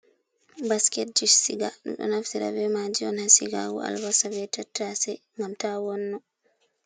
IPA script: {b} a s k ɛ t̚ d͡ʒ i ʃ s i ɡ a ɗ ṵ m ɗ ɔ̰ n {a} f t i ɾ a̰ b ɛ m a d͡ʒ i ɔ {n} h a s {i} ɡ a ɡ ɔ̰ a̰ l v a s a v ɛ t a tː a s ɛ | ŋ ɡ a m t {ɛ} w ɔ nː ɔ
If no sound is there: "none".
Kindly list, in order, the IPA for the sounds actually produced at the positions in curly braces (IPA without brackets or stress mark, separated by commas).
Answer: b, a, n, i, a